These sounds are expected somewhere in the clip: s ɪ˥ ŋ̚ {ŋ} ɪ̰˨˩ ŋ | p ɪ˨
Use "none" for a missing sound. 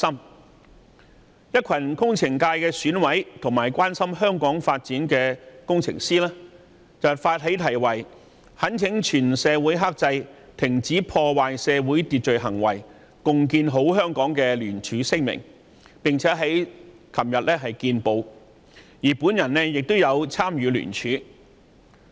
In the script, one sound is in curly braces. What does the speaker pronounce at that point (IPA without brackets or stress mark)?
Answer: m